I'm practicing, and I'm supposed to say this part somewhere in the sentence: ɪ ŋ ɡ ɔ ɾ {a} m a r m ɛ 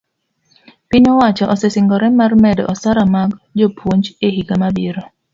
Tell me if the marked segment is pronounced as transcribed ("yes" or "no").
no